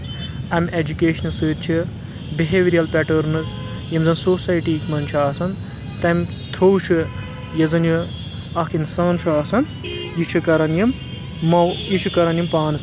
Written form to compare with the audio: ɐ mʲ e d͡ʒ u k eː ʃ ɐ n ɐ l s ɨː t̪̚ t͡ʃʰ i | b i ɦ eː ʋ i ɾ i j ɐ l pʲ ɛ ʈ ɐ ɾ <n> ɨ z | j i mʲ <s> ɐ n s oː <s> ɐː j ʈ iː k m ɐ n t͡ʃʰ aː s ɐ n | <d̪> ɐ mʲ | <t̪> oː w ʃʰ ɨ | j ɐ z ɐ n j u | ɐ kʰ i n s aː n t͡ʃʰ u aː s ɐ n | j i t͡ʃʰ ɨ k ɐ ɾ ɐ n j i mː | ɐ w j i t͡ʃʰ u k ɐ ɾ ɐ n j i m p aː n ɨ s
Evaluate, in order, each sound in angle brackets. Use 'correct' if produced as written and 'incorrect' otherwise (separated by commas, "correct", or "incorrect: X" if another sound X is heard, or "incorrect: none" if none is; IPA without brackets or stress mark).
correct, incorrect: z, correct, incorrect: t̪, incorrect: t̪ʰ